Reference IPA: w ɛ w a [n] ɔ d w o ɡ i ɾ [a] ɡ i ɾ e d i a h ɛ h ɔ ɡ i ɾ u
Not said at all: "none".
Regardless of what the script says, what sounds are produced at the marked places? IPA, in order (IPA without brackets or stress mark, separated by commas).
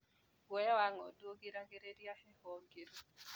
ŋ, a